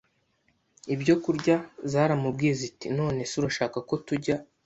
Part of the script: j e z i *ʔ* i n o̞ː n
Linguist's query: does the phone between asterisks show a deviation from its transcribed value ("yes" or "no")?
yes